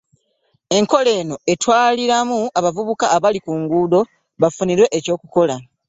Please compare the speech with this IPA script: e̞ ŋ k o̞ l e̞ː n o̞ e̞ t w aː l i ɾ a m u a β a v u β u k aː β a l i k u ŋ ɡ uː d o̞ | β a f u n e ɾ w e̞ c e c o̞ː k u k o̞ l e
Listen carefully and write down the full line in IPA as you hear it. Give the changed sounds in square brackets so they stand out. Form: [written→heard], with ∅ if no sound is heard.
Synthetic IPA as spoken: e̞ ŋ k o̞ l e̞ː n o̞ e̞ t w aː l i ɾ a m u a β a v u β u k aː β a l i k u ŋ ɡ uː d o̞ | β a f u n [e→i] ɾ w e̞ [c→ʔ] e c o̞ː k u k o̞ l [e→a]